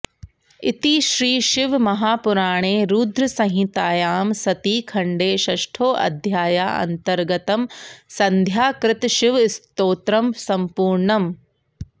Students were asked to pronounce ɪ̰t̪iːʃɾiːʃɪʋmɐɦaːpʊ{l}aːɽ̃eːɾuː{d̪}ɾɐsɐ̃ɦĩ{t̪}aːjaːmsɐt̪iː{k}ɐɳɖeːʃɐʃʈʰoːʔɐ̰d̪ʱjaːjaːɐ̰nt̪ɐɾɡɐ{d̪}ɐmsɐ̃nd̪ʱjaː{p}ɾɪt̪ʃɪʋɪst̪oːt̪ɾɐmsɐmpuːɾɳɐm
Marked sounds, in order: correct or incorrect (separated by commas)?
incorrect, correct, correct, incorrect, incorrect, incorrect